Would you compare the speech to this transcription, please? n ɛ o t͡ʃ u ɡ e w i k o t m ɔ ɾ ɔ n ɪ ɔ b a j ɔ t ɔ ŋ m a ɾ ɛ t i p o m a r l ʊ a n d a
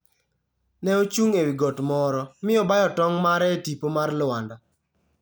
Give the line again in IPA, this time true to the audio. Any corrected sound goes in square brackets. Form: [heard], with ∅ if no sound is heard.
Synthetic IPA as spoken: n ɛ o t͡ʃ u [ŋ] e w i [ɡ] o t m ɔ ɾ ɔ [m] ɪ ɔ b a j ɔ t ɔ ŋ m a ɾ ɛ t i p o m a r l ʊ a n d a